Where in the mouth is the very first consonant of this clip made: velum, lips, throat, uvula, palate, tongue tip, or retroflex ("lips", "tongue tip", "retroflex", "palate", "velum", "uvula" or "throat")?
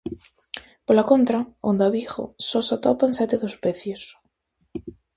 lips